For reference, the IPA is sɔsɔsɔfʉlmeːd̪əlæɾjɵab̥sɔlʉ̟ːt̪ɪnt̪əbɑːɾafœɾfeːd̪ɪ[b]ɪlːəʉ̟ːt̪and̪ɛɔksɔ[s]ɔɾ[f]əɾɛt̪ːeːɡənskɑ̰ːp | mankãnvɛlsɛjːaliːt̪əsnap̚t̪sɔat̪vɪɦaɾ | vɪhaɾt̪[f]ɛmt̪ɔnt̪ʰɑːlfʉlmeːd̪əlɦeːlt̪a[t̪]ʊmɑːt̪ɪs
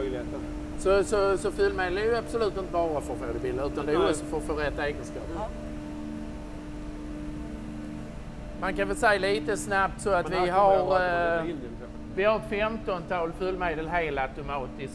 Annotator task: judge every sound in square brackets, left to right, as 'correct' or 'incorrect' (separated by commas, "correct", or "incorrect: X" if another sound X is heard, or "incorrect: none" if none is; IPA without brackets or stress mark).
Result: correct, incorrect: f, correct, correct, correct